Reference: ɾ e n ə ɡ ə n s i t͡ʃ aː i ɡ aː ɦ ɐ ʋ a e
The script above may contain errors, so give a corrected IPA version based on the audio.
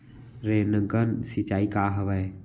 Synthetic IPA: ɾ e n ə ɡ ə n s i t͡ʃ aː i k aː ɦ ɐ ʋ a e